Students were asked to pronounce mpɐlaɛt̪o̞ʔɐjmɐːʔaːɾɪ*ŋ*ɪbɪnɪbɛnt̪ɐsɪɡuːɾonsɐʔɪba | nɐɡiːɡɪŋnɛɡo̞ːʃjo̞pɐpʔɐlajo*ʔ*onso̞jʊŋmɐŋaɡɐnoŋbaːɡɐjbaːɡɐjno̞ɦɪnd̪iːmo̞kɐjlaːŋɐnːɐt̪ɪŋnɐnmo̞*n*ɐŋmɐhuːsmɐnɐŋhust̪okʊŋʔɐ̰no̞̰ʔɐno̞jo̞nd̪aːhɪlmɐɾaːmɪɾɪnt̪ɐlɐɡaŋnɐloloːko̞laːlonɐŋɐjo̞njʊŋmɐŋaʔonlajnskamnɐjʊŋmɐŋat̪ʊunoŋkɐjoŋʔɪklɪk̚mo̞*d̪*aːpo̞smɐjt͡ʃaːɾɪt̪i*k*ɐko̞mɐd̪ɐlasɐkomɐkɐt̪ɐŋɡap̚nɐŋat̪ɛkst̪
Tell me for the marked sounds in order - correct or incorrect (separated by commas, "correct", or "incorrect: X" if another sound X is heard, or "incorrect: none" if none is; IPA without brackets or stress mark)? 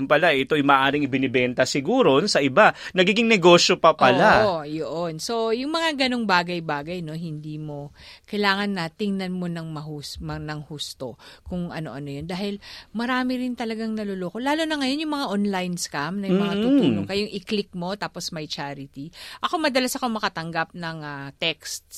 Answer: correct, correct, correct, incorrect: t̪, incorrect: ʔ